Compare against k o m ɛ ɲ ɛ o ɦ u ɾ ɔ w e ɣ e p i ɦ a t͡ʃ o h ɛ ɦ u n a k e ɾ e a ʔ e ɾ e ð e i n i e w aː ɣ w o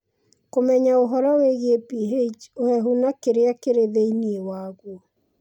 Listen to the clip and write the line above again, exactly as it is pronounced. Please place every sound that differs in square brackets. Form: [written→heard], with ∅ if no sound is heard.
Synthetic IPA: k o m ɛ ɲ [ɛ→a] o ɦ [u→ɔ] ɾ ɔ w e ɣ e p i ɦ [a→e] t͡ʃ o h ɛ ɦ u n a k e ɾ e a [ʔ→k] e ɾ e ð e i n i e w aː ɣ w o